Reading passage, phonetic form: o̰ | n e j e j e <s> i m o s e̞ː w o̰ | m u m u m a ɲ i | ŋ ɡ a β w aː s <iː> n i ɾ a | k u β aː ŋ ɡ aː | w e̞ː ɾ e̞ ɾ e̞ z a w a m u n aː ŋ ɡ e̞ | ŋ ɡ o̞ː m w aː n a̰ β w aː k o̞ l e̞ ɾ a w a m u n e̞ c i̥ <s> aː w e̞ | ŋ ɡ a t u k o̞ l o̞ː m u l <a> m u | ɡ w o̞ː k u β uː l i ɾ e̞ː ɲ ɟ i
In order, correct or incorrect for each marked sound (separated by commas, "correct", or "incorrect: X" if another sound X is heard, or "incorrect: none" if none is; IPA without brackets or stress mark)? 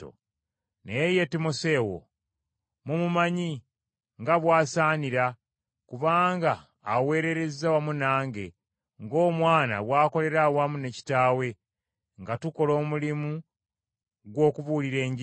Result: incorrect: t, incorrect: aː, incorrect: t, incorrect: i